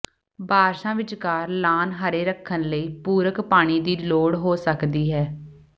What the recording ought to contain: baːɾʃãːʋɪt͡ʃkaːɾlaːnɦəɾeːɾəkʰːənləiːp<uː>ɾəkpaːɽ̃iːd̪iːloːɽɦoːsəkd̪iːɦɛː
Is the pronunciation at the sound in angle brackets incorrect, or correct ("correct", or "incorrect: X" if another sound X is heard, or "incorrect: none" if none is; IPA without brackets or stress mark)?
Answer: correct